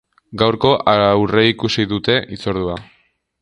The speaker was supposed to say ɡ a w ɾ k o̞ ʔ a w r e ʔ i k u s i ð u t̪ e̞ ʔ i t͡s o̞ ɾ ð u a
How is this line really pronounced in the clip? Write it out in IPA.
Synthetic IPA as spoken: ɡ a w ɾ k o̞ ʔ a w r e i k u s i ð u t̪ e̞ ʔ i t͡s o̞ ɾ ð u a